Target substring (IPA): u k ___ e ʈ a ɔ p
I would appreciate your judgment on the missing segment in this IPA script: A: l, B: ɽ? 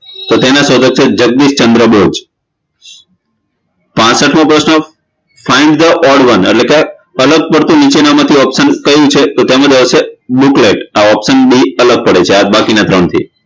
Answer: A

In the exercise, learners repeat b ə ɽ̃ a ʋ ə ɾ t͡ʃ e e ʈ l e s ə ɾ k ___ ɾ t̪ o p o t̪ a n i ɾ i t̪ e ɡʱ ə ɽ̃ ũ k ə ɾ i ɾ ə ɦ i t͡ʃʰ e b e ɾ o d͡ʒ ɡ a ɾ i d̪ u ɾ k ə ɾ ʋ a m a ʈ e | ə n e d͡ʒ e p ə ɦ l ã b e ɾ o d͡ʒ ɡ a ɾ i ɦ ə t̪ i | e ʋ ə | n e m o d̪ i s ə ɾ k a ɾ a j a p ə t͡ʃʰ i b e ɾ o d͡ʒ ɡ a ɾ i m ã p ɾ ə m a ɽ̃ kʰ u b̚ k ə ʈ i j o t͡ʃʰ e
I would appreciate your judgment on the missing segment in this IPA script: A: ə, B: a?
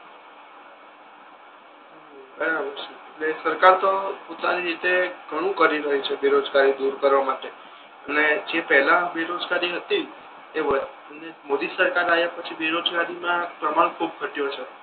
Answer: B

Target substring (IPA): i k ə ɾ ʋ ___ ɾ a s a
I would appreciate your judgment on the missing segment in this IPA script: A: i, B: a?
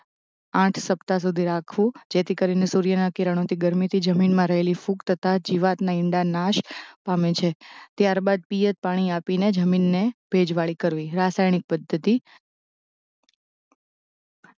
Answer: A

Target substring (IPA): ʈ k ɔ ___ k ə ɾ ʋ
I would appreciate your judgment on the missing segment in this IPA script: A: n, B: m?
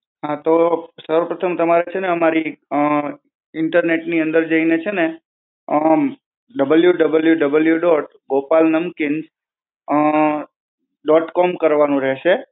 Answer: B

